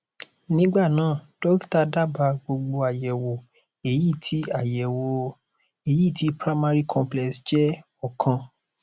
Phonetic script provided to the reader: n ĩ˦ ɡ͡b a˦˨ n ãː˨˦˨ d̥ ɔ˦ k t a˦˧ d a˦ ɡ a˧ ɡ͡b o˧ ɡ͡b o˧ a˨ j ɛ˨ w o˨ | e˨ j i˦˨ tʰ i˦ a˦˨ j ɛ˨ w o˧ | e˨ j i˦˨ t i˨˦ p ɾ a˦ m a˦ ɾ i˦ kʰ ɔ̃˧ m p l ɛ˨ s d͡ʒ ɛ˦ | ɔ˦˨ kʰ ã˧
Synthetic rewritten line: n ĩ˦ ɡ͡b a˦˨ n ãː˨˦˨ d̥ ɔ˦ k t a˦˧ d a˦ b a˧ ɡ͡b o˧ ɡ͡b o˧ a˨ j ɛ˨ w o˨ | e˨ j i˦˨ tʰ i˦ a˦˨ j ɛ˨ w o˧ | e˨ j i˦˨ t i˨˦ p ɾ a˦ m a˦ ɾ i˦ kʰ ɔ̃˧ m p l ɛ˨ s d͡ʒ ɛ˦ | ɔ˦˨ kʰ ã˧